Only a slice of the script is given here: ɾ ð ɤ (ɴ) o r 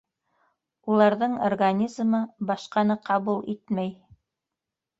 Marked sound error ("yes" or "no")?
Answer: no